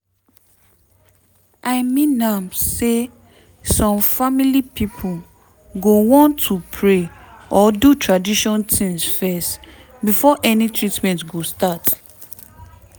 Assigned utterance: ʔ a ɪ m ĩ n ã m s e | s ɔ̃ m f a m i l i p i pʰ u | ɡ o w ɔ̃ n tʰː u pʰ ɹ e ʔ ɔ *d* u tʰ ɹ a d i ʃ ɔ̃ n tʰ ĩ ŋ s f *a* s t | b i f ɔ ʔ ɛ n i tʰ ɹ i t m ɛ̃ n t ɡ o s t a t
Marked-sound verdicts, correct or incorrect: correct, incorrect

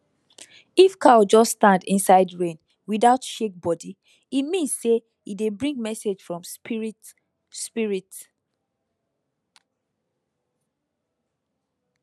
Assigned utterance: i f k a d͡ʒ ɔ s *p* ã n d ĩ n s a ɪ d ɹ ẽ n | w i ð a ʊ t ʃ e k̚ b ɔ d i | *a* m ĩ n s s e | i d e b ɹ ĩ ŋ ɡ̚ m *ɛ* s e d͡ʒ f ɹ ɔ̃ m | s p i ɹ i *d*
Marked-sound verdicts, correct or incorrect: incorrect, incorrect, correct, incorrect

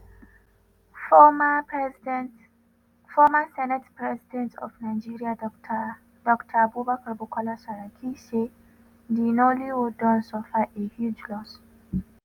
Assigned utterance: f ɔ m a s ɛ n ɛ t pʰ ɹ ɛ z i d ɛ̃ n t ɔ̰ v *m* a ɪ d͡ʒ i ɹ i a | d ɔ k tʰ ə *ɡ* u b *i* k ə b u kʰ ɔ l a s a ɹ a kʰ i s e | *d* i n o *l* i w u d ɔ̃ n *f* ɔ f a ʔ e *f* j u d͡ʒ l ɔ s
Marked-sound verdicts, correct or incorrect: incorrect, incorrect, incorrect, correct, correct, incorrect, incorrect

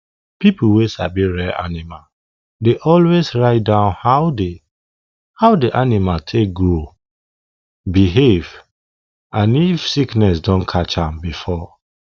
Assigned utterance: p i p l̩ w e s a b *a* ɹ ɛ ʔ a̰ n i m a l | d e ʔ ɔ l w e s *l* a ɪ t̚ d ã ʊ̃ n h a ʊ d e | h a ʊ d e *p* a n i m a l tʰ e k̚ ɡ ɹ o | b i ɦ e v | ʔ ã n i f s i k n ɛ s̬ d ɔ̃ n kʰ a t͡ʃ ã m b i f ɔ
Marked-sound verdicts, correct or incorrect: incorrect, incorrect, incorrect

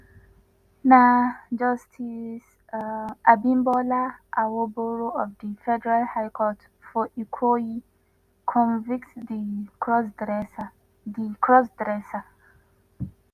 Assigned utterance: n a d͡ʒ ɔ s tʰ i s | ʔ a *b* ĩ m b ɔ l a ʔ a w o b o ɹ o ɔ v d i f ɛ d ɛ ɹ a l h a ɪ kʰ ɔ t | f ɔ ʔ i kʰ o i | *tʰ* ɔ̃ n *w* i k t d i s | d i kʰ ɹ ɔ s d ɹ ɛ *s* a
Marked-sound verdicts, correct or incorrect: correct, incorrect, incorrect, correct

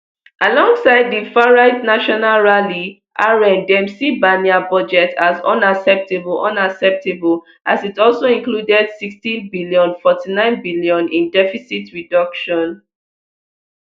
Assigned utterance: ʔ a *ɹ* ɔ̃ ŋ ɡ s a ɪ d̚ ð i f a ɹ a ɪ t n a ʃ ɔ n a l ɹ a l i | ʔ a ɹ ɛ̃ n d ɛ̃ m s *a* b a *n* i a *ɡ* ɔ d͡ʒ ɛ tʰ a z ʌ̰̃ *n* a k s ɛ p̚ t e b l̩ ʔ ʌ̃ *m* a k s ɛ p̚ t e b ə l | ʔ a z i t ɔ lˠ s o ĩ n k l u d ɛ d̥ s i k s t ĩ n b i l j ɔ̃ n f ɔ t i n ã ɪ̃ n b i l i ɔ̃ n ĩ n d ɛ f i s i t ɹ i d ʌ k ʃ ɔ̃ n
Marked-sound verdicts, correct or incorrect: incorrect, incorrect, correct, incorrect, correct, incorrect

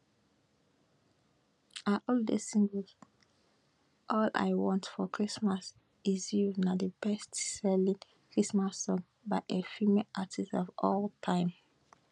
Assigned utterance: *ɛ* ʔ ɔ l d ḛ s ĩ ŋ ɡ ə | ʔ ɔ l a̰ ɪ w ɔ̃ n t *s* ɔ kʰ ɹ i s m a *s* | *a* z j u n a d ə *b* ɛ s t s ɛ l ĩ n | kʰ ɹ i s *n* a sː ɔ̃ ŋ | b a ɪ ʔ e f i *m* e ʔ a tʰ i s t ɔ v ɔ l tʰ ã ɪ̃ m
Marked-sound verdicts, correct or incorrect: incorrect, incorrect, correct, incorrect, correct, incorrect, correct

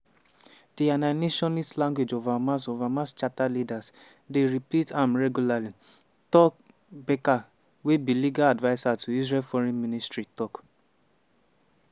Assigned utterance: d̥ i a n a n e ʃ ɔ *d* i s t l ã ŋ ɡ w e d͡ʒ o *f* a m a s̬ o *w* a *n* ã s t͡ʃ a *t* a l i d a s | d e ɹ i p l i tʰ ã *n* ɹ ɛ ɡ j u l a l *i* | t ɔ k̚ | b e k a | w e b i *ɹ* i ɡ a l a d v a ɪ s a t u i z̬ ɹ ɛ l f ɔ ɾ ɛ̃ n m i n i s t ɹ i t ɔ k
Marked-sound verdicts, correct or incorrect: incorrect, incorrect, incorrect, incorrect, correct, incorrect, correct, incorrect

